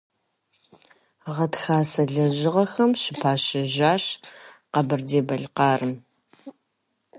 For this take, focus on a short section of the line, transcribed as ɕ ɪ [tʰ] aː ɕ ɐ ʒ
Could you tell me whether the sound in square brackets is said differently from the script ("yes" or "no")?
yes